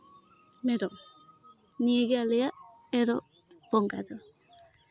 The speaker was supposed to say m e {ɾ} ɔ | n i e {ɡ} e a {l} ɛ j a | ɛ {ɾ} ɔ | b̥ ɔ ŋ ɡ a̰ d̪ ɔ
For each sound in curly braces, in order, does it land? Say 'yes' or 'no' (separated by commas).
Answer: yes, yes, yes, yes